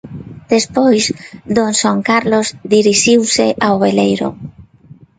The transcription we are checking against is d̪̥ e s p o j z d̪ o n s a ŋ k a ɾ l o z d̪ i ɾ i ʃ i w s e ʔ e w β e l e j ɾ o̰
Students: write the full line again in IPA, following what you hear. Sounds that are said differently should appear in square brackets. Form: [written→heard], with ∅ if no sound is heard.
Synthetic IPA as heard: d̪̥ e s p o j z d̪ o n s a ŋ k a ɾ l o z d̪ i ɾ i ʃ i w s e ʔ [e→a] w β e l e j ɾ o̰